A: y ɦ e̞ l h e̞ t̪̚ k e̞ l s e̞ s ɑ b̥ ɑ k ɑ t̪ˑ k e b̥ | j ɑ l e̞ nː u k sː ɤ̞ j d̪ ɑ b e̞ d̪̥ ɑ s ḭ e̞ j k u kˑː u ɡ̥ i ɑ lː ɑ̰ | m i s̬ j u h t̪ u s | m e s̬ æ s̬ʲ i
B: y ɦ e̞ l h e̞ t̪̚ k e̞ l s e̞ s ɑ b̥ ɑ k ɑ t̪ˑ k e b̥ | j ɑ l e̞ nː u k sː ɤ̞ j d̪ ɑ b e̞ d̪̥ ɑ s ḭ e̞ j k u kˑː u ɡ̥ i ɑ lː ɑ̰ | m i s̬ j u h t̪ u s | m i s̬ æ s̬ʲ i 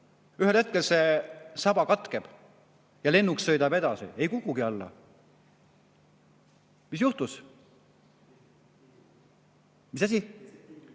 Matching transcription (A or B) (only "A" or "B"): B